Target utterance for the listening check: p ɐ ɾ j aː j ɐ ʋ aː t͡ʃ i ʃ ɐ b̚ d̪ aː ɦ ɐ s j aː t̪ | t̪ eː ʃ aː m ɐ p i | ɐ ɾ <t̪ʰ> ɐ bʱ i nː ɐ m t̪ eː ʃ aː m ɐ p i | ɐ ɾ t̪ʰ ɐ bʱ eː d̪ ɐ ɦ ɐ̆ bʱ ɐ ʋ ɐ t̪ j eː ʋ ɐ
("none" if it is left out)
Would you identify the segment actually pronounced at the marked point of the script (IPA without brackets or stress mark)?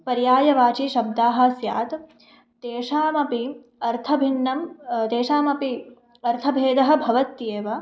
t̪ʰ